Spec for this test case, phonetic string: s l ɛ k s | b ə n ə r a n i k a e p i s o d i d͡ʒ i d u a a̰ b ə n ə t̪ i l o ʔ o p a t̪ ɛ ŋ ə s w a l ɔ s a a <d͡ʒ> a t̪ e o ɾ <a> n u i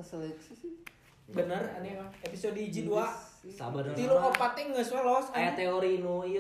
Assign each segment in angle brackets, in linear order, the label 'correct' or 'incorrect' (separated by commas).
incorrect, incorrect